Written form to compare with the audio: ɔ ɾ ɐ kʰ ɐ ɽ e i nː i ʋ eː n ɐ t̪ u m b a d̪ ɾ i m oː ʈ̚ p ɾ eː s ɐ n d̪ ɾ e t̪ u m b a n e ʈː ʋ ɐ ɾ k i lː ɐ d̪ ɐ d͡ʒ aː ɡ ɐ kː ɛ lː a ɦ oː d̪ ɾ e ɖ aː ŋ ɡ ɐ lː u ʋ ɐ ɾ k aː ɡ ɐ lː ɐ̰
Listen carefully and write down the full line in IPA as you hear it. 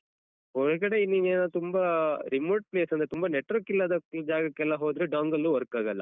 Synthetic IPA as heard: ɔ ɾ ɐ k ɐ ɽ e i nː i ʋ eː n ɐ t̪ u m b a ɾ i m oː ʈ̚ p l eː s ɐ n d̪ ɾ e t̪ u m b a n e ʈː ʋ ɐ ɾ k i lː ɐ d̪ ɐ d͡ʒ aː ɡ ɐ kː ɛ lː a ɦ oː d̪ ɾ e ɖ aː ŋ ɡ ɐ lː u ʋ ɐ ɾ k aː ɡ ɐ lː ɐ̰